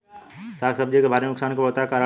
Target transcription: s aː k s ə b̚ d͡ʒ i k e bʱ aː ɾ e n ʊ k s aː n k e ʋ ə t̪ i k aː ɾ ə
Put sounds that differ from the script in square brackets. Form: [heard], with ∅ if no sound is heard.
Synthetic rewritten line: s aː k s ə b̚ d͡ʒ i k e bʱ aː ɾ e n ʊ k s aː n k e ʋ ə t̪ [a] k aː ɾ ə

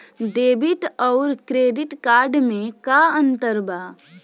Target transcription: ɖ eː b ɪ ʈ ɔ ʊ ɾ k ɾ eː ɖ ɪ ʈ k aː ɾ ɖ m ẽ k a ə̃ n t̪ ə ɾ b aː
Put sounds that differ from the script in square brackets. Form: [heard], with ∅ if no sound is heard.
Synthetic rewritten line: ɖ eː b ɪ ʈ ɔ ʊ ɾ k ɾ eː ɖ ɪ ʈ k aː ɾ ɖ m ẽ k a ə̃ n t̪ ə ɾ b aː

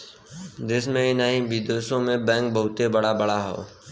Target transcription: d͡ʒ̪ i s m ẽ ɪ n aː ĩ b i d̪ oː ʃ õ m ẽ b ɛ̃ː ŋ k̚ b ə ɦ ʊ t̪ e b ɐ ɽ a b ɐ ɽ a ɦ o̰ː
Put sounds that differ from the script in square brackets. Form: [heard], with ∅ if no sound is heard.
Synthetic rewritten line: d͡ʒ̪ [ɪ] s m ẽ ɪ n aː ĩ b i d̪ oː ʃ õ m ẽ b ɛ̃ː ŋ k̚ b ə ɦ ʊ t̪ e b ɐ ɽ a b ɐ ɽ a ɦ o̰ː

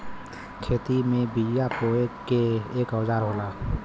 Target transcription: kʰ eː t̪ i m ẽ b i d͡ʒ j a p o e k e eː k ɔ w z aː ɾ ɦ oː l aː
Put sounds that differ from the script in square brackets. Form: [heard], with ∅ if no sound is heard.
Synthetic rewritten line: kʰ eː t̪ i m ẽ b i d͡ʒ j a p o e k e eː k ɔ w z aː ɾ ɦ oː l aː

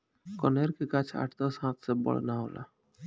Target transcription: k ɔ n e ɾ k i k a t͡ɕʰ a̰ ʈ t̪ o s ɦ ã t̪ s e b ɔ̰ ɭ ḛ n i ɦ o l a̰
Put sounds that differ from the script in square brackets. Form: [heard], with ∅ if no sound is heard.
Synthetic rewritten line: k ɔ n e ɾ k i k a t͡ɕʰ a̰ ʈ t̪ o s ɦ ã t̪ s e b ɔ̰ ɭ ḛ n [a] ɦ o l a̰

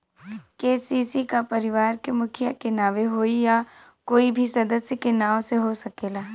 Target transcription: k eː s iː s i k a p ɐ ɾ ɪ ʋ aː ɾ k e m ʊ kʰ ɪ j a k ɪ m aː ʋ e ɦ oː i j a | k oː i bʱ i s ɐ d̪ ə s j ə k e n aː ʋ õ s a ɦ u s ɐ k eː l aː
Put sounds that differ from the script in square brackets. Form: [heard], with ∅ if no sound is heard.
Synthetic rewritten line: k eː s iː s i k a p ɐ ɾ ɪ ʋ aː ɾ k e m ʊ kʰ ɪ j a k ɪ [n] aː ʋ e ɦ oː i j a | k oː i bʱ i s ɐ d̪ ə s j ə k e n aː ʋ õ s [e] ɦ [o] s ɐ k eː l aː

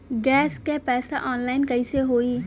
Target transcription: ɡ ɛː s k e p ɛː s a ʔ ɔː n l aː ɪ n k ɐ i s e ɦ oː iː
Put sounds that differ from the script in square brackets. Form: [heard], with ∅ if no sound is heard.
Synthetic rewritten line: ɡ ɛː s k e p ɛː s a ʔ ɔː n l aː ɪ n k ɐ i s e ɦ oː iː

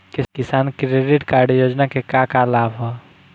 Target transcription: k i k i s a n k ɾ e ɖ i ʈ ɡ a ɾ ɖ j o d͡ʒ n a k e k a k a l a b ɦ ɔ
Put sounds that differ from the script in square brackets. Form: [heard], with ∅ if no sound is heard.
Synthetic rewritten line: k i k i s a n k ɾ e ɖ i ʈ [k] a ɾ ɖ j o d͡ʒ n a k e k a k a l a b ɦ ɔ

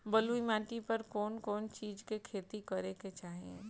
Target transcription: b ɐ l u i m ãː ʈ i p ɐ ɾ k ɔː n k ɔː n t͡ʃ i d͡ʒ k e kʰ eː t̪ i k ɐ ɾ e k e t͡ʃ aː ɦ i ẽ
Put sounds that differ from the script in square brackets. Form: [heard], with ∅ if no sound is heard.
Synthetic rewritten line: b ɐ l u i m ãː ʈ i p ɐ ɾ k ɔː n k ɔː n t͡ʃ [iː] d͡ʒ k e kʰ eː t̪ i k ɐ ɾ e k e t͡ʃ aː ɦ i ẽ

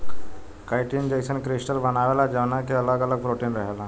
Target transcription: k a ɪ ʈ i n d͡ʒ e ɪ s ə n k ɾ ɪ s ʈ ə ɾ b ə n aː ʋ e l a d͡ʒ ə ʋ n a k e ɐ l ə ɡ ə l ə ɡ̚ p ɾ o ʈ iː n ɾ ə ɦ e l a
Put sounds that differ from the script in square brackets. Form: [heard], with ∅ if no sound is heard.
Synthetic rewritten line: k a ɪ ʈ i n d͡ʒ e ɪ s ə n k ɾ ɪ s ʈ ə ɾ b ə n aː ʋ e l a d͡ʒ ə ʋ n a k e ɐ l ə ɡ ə l ə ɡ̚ p ɾ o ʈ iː n ɾ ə ɦ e l a

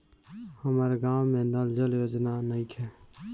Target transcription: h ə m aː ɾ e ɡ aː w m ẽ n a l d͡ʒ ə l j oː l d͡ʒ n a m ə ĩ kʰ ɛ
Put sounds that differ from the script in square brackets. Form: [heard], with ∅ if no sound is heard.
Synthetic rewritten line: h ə m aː ɾ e ɡ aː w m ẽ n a l d͡ʒ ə l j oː [∅] d͡ʒ n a [n] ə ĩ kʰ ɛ

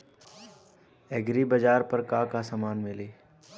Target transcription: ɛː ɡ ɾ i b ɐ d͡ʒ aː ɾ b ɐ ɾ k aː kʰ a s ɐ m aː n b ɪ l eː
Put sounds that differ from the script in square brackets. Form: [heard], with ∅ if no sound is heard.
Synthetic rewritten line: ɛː ɡ ɾ i b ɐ d͡ʒ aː ɾ [p] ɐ ɾ k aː [k] a s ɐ m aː n [m] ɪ l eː

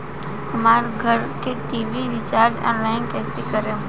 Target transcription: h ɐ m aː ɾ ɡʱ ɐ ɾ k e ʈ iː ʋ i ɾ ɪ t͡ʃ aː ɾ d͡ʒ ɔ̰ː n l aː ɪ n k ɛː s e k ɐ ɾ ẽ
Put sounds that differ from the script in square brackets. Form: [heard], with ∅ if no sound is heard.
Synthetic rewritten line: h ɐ m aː ɾ ɡʱ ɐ ɾ k e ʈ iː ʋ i ɾ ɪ t͡ʃ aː ɾ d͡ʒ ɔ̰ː n l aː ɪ n k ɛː s e k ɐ ɾ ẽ

